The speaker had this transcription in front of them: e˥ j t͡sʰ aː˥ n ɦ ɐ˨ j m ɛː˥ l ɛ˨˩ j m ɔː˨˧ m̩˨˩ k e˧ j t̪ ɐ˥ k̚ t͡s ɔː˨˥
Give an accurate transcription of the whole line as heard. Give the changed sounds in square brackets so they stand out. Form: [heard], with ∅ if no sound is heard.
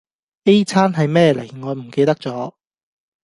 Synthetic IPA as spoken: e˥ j t͡sʰ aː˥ n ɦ ɐ˨ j m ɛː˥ l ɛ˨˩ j [ŋ] ɔː˨˧ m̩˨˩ k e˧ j t̪ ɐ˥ k̚ t͡s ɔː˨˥